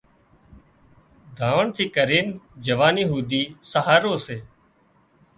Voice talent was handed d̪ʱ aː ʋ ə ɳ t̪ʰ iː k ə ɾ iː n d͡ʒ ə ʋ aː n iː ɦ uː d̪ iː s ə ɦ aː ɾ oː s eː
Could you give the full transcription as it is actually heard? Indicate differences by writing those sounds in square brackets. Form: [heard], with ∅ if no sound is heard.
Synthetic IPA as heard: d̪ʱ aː ʋ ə ɳ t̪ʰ iː k ə ɾ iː n d͡ʒ ə ʋ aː n iː ɦ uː d̪ iː s ə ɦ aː ɾ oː s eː